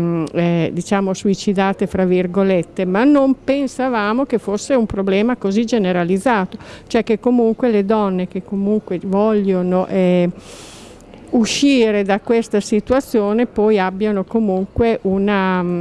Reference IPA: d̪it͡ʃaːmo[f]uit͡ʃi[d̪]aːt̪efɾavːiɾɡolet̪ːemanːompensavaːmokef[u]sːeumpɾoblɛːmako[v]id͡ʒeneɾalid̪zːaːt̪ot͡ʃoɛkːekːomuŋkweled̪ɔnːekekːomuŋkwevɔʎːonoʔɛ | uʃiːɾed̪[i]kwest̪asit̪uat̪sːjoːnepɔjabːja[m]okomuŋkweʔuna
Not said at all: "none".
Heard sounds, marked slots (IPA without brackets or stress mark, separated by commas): s, d̪, o, z, a, n